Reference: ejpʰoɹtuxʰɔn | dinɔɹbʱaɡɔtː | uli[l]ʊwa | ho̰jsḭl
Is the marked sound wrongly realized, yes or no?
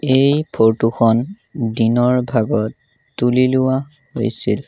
no